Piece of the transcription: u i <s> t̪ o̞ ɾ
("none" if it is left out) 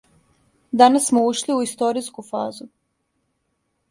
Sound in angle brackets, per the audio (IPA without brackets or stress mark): s